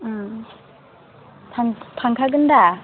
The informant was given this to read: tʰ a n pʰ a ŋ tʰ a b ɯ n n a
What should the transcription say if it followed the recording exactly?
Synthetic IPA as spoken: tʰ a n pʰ a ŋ kʰ a ɡ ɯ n d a